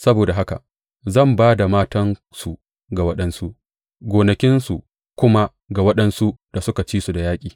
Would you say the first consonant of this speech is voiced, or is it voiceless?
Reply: voiceless